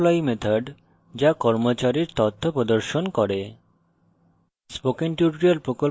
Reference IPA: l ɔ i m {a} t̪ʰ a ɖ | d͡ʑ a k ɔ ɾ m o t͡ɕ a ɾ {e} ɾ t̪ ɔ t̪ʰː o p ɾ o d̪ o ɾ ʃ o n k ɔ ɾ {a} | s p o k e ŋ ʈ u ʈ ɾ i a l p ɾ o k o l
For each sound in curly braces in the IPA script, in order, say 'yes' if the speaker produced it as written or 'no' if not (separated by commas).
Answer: no, no, no